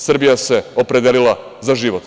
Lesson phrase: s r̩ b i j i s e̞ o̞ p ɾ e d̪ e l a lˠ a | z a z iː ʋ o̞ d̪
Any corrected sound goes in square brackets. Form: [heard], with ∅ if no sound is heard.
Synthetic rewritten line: s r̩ b i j [a] s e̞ o̞ p ɾ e d̪ e l [i] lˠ a | z a [ʒ] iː ʋ o̞ [t̪]